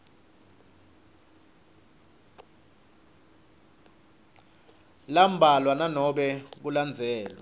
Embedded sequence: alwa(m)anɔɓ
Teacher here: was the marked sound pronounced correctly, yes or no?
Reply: no